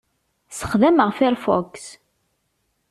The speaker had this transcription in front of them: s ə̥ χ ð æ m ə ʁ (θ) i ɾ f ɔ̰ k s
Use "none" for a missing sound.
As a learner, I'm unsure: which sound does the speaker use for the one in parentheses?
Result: f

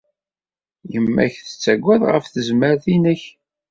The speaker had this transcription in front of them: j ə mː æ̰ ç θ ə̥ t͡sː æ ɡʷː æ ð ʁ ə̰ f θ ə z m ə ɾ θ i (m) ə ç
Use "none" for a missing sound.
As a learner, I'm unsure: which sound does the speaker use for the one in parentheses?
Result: n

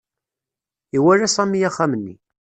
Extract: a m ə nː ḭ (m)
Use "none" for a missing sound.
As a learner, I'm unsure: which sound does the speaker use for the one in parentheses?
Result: none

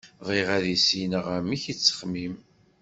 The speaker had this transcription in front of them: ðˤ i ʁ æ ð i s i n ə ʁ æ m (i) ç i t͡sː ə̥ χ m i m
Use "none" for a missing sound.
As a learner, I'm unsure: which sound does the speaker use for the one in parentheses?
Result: i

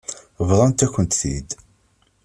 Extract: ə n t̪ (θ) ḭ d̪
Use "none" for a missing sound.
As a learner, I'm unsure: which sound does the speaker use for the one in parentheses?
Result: θ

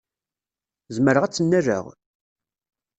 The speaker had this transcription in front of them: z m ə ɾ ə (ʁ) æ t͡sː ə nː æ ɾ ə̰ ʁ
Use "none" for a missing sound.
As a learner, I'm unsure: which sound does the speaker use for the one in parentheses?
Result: ʁ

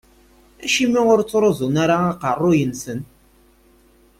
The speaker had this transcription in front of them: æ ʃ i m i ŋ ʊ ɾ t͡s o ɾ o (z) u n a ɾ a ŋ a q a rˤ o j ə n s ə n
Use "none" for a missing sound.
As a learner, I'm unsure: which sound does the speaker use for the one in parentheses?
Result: z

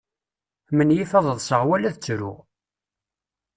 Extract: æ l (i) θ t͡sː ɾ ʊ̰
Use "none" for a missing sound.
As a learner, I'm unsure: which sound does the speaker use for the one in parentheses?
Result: æ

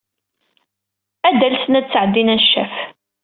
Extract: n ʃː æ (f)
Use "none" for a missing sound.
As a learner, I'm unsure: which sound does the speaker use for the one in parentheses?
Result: f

